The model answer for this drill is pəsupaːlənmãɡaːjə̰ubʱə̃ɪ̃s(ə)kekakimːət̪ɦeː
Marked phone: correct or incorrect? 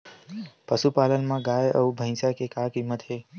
incorrect